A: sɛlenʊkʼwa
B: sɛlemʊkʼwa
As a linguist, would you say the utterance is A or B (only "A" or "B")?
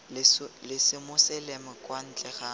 B